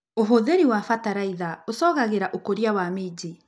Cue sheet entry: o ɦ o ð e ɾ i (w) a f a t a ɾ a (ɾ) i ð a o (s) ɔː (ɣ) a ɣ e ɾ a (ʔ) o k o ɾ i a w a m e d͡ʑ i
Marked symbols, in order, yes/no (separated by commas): yes, no, yes, yes, yes